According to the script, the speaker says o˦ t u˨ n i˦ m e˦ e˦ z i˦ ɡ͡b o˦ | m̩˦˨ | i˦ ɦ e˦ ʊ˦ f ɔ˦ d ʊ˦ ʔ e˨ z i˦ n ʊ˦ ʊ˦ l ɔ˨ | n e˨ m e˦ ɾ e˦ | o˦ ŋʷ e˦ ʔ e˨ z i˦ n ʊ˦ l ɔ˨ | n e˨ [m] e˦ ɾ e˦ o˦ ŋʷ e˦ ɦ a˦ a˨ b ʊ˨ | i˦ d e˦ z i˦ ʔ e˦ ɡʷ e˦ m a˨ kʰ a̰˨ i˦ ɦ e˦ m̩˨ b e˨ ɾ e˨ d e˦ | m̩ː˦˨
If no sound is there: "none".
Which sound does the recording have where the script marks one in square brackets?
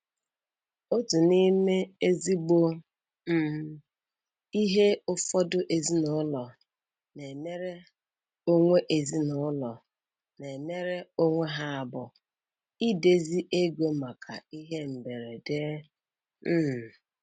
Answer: m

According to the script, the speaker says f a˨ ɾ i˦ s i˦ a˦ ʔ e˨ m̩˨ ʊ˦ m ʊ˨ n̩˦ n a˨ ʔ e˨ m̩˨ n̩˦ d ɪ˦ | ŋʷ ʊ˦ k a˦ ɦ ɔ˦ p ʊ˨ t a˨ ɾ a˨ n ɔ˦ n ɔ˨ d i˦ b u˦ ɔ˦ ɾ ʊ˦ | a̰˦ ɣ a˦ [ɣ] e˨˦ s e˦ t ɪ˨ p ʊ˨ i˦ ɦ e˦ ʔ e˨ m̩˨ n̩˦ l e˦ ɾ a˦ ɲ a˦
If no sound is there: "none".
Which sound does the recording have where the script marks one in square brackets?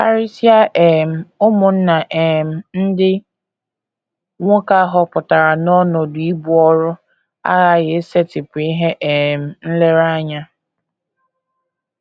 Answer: ɣ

